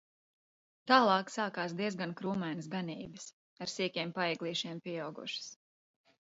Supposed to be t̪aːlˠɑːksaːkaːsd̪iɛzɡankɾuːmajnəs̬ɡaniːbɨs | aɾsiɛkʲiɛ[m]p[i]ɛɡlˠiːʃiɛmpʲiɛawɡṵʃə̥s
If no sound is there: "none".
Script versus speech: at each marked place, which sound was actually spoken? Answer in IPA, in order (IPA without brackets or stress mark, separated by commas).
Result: m, a